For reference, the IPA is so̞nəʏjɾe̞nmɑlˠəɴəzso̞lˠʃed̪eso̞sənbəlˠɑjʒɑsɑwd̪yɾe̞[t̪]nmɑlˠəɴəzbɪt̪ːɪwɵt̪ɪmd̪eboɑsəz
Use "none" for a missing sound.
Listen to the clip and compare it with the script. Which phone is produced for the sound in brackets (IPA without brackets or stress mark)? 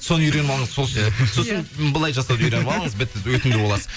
none